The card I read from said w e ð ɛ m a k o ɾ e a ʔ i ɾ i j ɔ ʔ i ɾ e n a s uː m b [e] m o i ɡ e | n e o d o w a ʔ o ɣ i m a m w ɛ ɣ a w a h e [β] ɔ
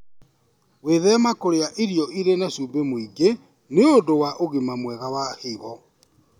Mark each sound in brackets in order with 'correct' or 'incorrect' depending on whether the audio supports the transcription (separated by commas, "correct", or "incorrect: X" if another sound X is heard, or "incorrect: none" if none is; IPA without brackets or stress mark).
correct, correct